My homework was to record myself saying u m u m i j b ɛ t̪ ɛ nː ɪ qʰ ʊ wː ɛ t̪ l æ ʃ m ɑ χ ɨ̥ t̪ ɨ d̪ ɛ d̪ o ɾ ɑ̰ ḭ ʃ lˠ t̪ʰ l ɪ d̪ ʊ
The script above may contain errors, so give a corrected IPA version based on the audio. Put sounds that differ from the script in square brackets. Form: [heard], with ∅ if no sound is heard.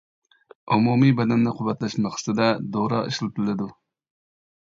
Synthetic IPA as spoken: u m u m i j b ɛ [d̪] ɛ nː ɪ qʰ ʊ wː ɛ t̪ l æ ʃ m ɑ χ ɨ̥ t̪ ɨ d̪ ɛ d̪ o ɾ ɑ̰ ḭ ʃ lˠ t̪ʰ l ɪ d̪ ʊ

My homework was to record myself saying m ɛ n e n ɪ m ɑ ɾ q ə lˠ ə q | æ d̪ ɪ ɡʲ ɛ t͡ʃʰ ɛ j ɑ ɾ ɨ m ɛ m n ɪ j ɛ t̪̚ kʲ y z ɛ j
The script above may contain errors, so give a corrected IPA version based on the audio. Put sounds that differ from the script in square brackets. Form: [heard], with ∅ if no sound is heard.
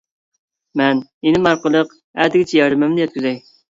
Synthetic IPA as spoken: m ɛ n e n ɪ m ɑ ɾ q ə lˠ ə q | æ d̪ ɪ ɡʲ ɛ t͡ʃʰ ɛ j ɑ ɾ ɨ m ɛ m n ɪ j ɛ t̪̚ kʲ y z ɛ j

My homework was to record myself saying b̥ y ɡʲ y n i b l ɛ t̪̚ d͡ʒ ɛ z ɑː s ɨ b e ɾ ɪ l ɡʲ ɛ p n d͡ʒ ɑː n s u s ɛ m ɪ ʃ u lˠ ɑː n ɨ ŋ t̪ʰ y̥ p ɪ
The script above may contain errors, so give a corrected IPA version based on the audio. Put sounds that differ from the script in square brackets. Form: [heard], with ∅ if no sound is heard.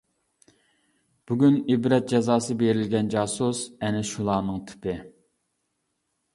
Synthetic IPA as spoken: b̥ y ɡʲ y n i b [ɾ] ɛ t̪̚ d͡ʒ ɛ z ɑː s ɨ b e ɾ ɪ l ɡʲ ɛ [∅] n d͡ʒ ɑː [∅] s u s ɛ [n] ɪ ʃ u lˠ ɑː n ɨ ŋ t̪ʰ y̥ p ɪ

